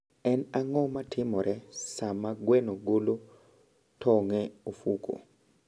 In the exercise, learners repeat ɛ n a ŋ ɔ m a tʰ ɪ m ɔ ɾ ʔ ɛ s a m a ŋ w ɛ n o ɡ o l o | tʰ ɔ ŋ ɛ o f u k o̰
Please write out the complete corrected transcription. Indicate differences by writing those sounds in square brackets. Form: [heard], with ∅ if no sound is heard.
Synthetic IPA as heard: ɛ n a ŋ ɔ m a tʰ ɪ m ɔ ɾ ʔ ɛ s a m a [ɡ] w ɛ n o ɡ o l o | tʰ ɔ ŋ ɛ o f u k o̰